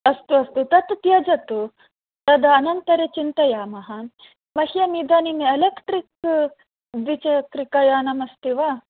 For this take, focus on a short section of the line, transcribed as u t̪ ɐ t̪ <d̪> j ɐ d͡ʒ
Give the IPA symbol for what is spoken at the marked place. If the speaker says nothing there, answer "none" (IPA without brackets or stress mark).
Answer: t̪